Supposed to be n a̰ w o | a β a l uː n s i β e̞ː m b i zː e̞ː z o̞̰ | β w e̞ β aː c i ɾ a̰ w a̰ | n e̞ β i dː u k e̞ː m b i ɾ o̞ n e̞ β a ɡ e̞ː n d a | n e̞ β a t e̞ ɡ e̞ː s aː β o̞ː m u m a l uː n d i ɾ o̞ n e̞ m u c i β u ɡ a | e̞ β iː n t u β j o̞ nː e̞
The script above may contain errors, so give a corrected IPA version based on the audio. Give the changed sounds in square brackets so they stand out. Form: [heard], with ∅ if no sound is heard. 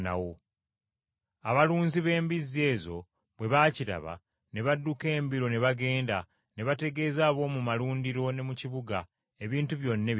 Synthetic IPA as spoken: n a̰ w o | a β a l uː n [z] i β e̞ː m b i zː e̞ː z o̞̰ | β w e̞ β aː c i ɾ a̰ [β] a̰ | n e̞ β [a] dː u k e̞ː m b i ɾ o̞ n e̞ β a ɡ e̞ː n d a | n e̞ β a t e̞ ɡ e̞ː [z] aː β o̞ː m u m a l uː n d i ɾ o̞ n e̞ m u c i β u ɡ a | e̞ β iː n t u β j o̞ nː e̞